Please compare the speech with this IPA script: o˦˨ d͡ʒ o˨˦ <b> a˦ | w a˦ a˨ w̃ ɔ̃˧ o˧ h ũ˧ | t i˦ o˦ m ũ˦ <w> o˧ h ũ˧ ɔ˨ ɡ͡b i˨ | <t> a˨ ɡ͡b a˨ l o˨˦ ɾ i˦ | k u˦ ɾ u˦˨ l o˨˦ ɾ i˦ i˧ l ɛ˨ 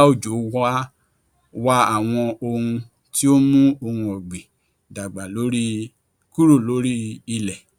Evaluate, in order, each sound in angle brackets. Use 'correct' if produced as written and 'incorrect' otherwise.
incorrect: w, incorrect: none, incorrect: d

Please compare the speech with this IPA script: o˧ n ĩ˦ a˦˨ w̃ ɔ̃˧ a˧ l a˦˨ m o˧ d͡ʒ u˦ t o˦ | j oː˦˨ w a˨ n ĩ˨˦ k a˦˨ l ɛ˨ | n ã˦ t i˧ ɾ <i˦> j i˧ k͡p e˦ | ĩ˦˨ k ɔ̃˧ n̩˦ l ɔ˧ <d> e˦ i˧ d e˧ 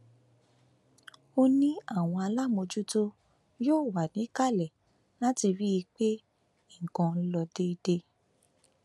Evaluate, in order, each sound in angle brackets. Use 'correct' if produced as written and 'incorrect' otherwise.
correct, correct

